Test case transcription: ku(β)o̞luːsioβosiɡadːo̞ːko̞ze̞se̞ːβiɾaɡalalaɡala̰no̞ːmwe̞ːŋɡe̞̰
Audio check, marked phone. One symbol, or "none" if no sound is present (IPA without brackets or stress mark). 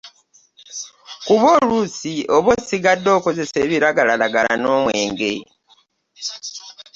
β